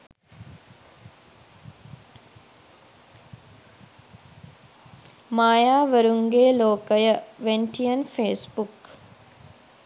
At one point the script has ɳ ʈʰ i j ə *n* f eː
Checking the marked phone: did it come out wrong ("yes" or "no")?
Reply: no